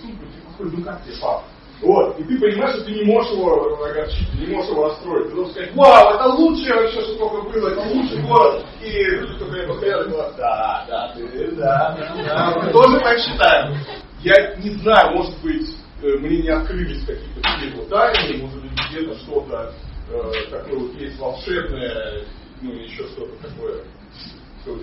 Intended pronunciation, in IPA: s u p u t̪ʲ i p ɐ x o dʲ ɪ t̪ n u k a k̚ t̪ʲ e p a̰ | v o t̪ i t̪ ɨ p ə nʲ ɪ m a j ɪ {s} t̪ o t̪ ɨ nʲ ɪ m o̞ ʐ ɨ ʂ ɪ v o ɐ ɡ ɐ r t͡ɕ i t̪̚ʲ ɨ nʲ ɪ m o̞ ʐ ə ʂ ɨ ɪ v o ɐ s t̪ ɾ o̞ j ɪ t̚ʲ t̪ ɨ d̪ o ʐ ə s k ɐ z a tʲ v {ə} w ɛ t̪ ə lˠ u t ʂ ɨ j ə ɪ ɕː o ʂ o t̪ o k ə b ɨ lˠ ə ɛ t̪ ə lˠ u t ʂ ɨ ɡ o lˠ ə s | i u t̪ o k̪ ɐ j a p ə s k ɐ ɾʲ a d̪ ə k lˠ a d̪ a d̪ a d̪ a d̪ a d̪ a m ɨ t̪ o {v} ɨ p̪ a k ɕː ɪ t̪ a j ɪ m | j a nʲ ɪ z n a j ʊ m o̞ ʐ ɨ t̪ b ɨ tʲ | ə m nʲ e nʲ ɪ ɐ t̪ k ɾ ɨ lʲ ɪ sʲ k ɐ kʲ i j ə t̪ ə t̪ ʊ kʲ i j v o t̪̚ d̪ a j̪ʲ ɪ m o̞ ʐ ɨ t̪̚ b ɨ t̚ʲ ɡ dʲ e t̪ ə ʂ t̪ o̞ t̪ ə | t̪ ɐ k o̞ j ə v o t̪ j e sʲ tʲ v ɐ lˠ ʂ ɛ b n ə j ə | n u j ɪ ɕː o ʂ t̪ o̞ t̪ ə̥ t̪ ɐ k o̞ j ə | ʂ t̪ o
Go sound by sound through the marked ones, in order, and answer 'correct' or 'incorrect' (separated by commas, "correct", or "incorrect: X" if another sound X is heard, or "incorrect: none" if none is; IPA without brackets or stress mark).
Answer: incorrect: ʂ, incorrect: a, incorrect: ʐ